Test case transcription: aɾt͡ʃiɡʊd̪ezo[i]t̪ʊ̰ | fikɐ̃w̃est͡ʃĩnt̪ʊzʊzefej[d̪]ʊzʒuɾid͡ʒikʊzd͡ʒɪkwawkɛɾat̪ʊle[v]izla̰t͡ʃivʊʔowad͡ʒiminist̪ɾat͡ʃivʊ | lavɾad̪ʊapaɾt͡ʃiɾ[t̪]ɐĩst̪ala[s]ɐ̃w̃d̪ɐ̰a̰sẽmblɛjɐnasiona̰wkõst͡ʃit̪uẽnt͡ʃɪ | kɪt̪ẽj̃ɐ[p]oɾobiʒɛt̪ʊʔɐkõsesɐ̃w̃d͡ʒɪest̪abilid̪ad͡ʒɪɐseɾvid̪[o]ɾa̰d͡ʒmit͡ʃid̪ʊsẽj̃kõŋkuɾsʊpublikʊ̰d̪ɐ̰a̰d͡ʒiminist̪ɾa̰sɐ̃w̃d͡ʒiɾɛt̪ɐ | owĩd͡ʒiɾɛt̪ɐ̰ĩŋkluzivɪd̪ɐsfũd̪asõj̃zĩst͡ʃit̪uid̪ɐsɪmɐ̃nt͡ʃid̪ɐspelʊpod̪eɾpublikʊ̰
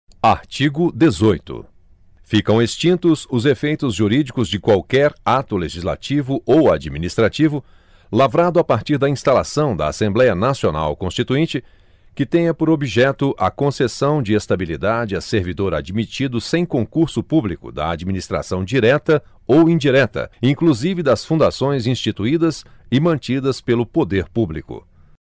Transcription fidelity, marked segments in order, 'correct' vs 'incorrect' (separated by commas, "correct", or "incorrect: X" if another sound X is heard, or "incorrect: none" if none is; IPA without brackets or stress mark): incorrect: j, incorrect: t̪, incorrect: ʒ, incorrect: d̪, correct, correct, correct